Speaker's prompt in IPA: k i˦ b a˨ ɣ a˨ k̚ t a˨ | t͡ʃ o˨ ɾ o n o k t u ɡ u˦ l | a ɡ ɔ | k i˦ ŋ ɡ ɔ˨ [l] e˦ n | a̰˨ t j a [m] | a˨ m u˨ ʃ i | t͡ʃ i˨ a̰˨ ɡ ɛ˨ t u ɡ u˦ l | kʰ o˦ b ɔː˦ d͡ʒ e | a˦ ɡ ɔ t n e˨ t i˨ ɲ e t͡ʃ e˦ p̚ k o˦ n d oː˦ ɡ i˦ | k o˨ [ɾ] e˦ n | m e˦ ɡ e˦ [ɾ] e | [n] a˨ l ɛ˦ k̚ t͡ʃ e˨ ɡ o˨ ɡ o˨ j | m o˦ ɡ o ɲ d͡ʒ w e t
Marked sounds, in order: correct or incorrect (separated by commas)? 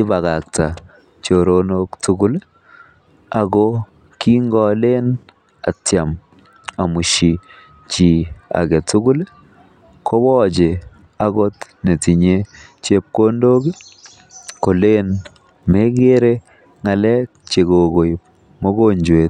correct, correct, incorrect, correct, incorrect